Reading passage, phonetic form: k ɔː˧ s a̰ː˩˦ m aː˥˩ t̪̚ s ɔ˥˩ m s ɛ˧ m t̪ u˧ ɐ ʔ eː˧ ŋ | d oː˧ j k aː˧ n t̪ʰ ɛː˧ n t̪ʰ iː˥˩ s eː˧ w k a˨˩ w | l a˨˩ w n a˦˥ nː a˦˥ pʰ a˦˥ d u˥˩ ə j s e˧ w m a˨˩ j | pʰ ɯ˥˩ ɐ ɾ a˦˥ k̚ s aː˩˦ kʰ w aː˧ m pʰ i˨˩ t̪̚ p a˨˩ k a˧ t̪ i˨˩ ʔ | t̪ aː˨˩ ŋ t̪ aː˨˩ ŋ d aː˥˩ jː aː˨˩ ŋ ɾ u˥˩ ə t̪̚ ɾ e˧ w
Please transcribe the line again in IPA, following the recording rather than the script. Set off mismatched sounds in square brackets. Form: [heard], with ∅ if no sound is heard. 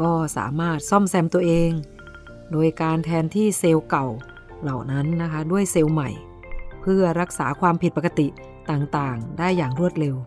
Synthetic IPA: k [ɔː˥˩] s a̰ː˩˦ m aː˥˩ t̪̚ s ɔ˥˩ m s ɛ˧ m t̪ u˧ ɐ ʔ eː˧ ŋ | d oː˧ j k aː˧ n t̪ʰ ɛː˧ n t̪ʰ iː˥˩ s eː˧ w k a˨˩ w | l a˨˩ w n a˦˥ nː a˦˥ [kʰ] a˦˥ d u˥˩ ə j s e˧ w m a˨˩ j | pʰ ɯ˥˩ ɐ ɾ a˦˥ k̚ s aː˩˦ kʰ w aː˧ m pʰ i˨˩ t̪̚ p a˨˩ k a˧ t̪ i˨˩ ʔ | t̪ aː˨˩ ŋ t̪ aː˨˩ ŋ d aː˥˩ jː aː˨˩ ŋ ɾ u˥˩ ə t̪̚ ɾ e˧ w